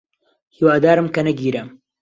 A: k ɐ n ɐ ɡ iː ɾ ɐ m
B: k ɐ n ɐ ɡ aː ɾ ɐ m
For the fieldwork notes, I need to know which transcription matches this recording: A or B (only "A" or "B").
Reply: A